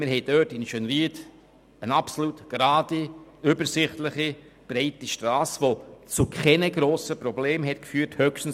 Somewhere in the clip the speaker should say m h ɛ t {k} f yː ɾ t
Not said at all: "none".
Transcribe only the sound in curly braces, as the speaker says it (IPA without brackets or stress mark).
k